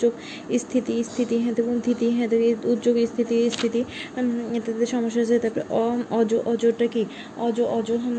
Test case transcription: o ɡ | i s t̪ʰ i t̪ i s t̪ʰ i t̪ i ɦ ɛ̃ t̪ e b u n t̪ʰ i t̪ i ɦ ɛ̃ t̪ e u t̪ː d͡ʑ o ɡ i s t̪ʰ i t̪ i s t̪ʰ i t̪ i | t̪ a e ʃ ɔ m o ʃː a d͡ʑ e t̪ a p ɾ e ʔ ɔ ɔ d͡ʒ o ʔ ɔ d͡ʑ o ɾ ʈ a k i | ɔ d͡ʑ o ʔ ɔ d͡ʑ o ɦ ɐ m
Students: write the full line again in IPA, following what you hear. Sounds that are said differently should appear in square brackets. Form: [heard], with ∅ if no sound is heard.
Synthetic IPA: o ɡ | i s t̪ʰ i t̪ i s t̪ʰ i t̪ i ɦ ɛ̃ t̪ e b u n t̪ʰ i t̪ i ɦ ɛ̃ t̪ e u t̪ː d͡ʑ o ɡ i s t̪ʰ i t̪ i s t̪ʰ i t̪ i | t̪ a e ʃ ɔ m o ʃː a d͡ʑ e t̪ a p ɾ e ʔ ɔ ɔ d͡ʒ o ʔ ɔ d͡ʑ o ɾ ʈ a k i | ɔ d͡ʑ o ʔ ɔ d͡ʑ o ɦ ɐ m